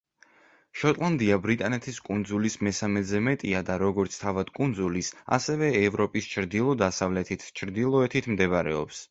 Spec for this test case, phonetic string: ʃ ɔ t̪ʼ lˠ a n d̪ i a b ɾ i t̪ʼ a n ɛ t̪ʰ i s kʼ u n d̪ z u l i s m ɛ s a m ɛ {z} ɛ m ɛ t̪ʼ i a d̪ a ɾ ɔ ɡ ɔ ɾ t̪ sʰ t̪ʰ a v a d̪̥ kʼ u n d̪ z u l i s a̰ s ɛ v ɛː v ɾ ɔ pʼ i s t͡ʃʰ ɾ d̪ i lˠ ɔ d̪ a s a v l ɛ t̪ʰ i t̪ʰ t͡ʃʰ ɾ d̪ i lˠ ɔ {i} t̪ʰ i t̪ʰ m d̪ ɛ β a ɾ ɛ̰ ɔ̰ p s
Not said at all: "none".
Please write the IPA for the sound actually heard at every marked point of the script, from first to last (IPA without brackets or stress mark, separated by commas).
z, ɛ